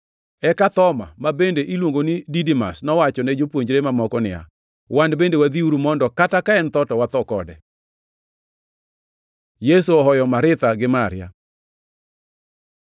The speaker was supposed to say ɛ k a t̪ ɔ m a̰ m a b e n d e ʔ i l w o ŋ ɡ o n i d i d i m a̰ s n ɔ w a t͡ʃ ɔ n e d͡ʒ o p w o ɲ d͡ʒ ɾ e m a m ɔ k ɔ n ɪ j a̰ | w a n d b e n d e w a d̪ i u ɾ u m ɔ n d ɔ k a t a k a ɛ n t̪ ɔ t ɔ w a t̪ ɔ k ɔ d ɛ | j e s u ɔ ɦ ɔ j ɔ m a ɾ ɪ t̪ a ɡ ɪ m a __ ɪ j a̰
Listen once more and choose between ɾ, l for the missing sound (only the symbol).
ɾ